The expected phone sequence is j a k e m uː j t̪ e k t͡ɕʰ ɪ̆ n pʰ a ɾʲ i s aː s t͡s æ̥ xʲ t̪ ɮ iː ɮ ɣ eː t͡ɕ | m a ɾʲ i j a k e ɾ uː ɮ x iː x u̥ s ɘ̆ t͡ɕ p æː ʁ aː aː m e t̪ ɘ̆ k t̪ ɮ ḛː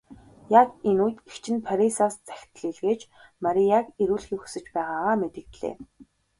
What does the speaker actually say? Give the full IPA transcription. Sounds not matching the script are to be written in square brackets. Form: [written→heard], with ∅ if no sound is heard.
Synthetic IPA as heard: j a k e [m→n] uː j t̪ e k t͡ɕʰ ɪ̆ n pʰ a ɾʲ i s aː s t͡s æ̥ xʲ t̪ ɮ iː ɮ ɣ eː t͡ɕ | m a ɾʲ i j a k e ɾ uː ɮ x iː x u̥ s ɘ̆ t͡ɕ p æː ʁ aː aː m e t̪ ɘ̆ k t̪ ɮ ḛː